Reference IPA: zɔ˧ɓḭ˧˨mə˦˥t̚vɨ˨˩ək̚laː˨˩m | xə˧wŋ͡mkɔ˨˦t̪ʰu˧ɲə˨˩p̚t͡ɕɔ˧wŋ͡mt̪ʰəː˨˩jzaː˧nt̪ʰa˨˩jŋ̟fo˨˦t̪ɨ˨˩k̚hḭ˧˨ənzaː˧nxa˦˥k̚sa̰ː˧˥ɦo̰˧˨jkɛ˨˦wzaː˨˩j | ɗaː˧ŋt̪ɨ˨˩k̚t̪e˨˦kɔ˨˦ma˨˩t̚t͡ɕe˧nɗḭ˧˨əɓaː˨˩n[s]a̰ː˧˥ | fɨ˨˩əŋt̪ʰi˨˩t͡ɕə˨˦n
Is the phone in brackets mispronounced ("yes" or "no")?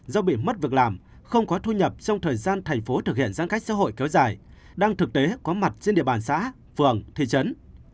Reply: no